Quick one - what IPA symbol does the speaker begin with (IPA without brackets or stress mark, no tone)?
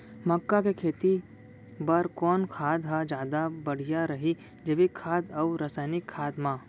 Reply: m